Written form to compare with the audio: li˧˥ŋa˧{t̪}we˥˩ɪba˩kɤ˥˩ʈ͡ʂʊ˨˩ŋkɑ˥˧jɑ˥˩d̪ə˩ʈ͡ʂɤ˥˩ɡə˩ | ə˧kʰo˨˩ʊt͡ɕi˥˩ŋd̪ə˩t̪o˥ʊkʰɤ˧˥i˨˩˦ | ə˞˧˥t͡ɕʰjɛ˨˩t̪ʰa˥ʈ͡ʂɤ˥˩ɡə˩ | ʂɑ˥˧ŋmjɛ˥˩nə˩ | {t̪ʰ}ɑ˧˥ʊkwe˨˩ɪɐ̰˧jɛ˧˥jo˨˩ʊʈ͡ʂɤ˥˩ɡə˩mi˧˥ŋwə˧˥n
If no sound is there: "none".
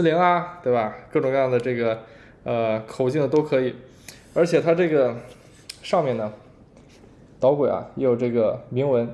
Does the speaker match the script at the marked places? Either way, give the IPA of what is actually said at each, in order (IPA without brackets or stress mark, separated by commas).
t̪, t̪